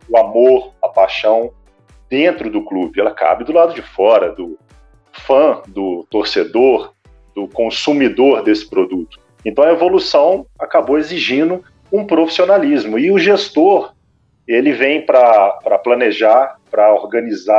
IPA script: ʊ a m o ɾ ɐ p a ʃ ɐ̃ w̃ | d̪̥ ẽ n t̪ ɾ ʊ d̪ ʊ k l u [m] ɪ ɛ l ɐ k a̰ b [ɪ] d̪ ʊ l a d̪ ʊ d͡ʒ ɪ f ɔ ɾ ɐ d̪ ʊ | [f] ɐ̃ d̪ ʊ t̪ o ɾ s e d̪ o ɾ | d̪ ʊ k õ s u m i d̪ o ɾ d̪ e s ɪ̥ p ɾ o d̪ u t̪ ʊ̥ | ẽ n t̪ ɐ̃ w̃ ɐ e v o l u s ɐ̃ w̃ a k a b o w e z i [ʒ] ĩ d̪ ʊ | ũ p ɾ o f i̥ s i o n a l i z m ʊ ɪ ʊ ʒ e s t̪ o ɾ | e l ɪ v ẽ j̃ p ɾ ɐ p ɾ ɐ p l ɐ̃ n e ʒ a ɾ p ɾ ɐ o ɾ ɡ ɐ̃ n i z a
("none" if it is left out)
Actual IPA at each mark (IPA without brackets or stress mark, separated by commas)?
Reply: b, ɪ, f, ʒ